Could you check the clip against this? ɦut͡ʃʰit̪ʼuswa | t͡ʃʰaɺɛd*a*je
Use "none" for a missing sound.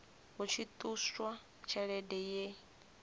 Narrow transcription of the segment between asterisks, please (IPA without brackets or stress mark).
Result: ɛ